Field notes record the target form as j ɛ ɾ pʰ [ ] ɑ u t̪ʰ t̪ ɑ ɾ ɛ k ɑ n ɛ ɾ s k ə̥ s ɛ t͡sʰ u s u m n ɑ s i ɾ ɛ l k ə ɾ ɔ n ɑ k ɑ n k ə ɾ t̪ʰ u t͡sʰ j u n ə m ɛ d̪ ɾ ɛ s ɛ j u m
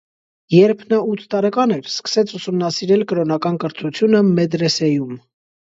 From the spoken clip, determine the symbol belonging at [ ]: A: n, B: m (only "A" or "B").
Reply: A